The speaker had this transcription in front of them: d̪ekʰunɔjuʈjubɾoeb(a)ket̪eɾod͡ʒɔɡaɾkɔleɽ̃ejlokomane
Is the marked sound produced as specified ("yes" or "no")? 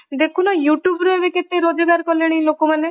no